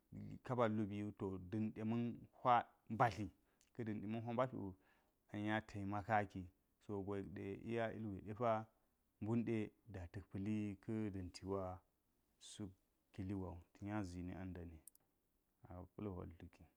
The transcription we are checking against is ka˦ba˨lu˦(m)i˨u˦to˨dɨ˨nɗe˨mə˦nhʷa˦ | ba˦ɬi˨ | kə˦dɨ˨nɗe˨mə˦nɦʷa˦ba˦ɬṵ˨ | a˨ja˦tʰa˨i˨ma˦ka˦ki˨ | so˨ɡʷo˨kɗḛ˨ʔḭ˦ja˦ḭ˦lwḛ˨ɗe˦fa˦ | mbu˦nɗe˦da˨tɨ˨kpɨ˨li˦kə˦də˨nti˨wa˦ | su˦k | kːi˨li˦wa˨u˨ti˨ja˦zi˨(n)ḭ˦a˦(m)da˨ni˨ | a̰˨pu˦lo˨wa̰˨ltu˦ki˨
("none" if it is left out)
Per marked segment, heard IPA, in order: b, n, n

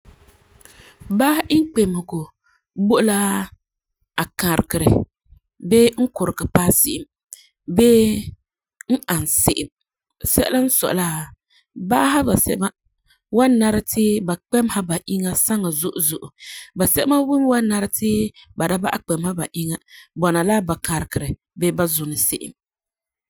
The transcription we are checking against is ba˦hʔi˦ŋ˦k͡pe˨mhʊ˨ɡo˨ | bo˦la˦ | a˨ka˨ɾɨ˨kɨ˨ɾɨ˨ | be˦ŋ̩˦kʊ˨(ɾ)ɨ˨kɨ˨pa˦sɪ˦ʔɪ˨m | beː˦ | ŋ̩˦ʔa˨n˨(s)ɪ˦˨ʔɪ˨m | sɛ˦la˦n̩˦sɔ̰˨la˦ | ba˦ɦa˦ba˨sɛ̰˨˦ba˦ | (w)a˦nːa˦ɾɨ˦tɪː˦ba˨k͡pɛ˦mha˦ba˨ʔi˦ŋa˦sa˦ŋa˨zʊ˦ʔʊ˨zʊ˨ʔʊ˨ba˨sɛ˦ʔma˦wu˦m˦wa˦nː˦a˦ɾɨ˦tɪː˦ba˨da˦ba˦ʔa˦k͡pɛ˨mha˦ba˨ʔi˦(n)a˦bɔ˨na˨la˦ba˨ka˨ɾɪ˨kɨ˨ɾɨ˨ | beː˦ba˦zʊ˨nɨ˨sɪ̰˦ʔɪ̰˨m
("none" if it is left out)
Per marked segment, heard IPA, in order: ɾ, s, w, ŋ

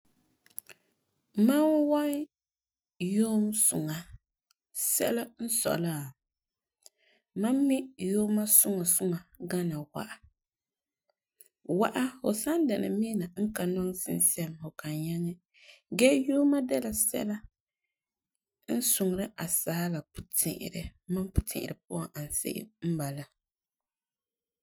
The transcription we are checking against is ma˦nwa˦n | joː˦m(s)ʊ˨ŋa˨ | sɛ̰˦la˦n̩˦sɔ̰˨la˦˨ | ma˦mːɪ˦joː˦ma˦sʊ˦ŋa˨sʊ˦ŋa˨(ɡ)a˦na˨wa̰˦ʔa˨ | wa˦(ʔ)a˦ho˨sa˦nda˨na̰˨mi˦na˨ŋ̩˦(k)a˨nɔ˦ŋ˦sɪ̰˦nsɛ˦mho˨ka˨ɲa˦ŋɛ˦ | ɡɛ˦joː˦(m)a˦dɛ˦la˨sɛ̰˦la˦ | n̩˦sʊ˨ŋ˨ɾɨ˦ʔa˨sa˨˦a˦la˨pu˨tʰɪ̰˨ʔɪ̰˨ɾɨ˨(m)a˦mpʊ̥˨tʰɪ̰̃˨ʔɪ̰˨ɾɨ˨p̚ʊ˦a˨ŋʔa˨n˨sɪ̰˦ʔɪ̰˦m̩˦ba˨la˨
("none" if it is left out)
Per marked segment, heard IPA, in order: s, ɡ, ʔ, k, m, m

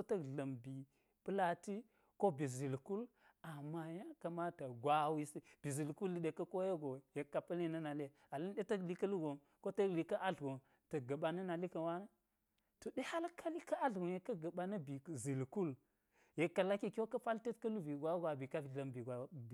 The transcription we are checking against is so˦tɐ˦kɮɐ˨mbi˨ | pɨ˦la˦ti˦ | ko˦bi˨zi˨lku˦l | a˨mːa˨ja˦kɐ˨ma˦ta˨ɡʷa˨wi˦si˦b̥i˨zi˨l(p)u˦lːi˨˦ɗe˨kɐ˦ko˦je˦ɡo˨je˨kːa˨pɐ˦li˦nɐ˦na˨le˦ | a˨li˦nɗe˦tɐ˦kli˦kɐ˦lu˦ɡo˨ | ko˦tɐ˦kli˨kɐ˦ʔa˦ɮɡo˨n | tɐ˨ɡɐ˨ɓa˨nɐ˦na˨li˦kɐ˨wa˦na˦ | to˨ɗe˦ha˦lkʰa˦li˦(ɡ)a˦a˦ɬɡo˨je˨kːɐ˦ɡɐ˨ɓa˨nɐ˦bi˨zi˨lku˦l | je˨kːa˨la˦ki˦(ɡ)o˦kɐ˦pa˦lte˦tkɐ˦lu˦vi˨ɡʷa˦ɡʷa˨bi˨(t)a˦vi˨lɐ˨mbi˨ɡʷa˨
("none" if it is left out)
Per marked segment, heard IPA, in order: k, k, k, k

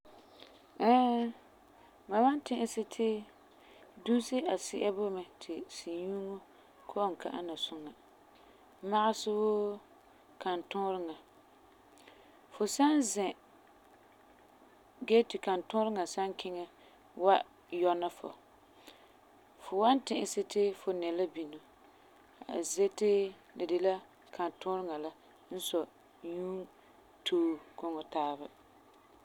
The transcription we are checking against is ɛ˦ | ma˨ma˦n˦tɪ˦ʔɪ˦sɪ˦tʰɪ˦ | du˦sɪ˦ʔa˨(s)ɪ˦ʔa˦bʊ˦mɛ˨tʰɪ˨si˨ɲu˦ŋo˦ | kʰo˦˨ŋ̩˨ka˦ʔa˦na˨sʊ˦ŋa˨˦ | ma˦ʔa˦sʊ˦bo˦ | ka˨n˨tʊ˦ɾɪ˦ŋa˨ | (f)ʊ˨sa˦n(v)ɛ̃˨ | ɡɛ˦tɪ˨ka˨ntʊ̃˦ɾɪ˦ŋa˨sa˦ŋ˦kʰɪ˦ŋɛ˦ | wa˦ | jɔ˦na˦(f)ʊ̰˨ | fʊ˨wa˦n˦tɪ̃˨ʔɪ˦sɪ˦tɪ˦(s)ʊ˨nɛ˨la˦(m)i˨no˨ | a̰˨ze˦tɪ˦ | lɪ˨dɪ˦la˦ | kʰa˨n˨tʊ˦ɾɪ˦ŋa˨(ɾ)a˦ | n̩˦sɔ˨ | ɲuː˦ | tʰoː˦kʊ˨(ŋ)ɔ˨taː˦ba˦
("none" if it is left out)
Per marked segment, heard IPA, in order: s, f, z, f, f, b, l, ŋ

